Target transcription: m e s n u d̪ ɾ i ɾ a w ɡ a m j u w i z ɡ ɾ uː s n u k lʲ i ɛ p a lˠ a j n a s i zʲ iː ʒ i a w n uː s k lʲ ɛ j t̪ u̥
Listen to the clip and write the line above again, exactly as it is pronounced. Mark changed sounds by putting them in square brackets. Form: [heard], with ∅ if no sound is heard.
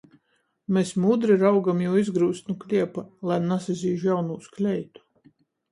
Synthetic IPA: m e s [m] u d̪ ɾ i ɾ a w ɡ a m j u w i z ɡ ɾ uː s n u k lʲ i ɛ p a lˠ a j n a s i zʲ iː ʒ [j] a w n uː s k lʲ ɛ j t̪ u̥